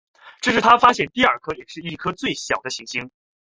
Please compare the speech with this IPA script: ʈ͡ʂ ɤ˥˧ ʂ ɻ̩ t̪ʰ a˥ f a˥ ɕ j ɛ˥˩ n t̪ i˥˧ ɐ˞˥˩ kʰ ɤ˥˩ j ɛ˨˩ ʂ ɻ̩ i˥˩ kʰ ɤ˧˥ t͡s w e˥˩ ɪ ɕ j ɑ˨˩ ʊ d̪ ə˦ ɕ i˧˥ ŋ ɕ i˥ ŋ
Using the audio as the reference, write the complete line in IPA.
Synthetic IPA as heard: ʈ͡ʂ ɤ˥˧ ʂ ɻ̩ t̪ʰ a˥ f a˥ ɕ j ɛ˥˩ n t̪ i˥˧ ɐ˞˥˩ kʰ ɤ˥ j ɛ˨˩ ʂ ɻ̩ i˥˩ kʰ ɤ˥ t͡s w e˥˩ ɪ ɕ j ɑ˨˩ ʊ d̪ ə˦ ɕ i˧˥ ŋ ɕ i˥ ŋ